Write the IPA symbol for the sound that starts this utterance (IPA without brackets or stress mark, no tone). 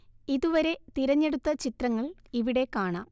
i